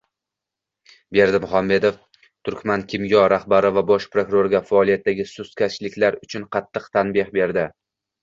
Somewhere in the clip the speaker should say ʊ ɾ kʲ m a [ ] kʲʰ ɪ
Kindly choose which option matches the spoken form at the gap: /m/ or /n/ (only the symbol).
n